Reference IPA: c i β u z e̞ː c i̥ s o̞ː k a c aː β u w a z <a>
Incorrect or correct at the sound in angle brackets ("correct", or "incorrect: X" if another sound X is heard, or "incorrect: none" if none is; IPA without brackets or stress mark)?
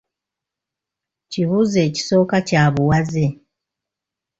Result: incorrect: e